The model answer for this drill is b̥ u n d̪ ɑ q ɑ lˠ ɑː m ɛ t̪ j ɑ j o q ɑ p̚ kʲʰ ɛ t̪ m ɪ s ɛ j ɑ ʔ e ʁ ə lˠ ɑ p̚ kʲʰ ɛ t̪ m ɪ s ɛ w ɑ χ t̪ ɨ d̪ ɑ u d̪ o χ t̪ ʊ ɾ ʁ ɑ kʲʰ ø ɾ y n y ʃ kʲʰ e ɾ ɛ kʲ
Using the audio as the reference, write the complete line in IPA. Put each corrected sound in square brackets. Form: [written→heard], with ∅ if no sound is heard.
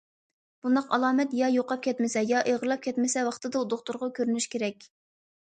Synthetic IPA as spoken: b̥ u n d̪ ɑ q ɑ lˠ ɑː m ɛ t̪ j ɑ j o q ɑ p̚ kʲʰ ɛ t̪ m ɪ s ɛ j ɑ ʔ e ʁ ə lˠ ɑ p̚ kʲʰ ɛ t̪ m ɪ s ɛ w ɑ χ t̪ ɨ d̪ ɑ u d̪ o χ t̪ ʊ ɾ ʁ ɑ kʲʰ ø ɾ y n y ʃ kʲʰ e ɾ ɛ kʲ